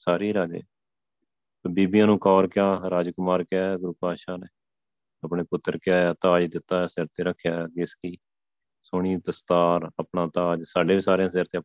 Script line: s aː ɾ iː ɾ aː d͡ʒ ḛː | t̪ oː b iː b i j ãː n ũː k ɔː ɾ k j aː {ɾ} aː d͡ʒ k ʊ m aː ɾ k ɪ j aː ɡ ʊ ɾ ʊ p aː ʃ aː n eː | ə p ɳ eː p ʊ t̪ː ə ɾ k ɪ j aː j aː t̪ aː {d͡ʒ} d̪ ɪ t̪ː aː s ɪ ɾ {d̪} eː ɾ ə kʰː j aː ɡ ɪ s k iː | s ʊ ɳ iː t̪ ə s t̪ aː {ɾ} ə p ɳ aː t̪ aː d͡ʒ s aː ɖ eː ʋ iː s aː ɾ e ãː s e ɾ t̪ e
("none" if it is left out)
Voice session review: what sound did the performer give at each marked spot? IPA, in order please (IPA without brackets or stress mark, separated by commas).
ɾ, d͡ʒ, t̪, ɾ